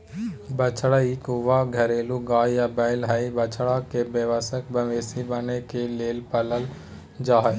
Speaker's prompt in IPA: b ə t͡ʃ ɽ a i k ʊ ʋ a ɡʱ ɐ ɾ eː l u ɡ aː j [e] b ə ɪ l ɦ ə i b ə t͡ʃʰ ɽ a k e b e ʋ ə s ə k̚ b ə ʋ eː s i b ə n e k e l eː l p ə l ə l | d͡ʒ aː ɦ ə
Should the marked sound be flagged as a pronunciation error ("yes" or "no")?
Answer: yes